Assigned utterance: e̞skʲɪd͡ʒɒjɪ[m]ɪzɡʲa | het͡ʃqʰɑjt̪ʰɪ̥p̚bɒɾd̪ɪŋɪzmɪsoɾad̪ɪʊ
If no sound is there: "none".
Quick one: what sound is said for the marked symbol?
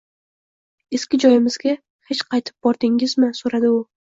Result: m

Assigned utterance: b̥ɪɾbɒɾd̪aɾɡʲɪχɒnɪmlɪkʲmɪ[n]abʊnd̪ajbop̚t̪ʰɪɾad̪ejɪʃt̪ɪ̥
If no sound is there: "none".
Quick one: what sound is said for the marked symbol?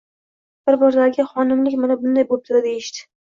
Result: n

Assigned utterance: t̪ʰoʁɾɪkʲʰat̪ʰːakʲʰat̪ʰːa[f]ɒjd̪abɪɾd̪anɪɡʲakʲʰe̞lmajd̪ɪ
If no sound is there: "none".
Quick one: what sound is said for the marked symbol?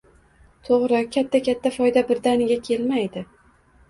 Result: f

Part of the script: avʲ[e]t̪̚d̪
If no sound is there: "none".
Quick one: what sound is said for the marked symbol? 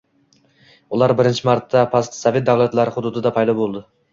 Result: e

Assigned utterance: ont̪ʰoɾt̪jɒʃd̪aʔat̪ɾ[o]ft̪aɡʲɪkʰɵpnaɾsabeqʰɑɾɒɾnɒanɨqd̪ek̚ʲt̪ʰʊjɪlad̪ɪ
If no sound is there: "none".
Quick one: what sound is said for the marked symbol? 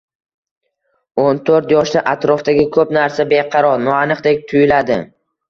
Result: ɒ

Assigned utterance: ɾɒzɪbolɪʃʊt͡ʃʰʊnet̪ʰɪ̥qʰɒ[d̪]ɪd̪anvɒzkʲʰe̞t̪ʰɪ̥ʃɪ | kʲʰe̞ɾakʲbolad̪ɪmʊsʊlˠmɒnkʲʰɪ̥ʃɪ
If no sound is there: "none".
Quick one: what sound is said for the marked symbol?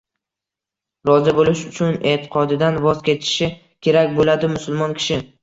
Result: d̪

